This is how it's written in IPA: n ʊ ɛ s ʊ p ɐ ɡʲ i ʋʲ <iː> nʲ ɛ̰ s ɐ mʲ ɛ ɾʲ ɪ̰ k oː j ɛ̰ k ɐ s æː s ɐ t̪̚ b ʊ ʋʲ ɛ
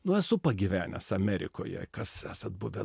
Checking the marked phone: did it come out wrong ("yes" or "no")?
yes